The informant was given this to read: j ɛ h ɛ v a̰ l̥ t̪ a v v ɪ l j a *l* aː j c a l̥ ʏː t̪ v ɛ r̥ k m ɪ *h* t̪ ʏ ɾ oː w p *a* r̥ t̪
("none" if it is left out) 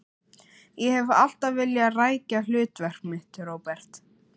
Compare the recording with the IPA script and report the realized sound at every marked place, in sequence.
r, h, ɛ

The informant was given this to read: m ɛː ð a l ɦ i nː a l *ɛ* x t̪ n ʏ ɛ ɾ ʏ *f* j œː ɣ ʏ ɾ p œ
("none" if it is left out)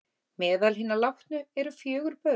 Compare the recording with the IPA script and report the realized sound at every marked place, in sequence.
a, f

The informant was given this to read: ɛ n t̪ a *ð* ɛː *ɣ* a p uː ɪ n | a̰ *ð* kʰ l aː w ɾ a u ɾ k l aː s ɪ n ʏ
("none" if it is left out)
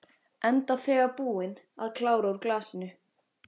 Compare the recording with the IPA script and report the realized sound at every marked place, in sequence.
θ, ɣ, ð

